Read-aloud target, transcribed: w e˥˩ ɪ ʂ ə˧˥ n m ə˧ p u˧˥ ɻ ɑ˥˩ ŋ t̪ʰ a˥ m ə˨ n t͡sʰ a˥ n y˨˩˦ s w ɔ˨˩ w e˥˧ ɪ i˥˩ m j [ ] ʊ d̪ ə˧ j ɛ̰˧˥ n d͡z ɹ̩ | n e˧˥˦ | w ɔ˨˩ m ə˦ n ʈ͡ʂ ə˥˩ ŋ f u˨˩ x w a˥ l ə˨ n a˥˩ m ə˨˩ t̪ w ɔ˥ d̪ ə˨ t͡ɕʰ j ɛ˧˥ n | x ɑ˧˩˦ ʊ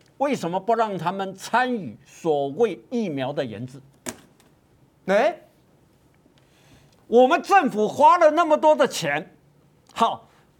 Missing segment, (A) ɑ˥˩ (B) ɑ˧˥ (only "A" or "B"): B